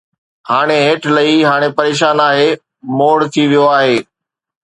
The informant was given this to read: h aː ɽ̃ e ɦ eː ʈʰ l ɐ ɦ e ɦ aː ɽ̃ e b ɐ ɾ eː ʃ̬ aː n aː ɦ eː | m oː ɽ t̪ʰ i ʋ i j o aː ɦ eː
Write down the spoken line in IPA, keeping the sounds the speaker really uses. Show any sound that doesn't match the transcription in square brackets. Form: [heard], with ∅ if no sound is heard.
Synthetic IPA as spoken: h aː ɽ̃ e ɦ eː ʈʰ l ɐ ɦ [i] ɦ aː ɽ̃ e [p] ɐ ɾ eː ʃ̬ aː n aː ɦ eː | m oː ɽ t̪ʰ i ʋ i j o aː ɦ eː